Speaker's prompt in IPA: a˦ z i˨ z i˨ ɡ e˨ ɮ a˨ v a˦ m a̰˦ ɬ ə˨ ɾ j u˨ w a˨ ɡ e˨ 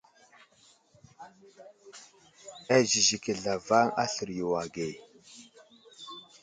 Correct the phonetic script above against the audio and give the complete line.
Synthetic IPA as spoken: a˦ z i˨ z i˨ k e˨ ɮ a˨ v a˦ ŋ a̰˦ ɬ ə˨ ɾ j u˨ w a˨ ɡ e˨